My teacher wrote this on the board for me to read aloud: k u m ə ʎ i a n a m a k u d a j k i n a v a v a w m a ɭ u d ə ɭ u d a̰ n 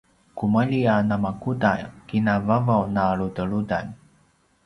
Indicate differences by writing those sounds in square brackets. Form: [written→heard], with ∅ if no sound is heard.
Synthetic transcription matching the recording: k u m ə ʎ i a n a m a k u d a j k i n a v a v a w [m→n] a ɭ u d ə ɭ u d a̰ n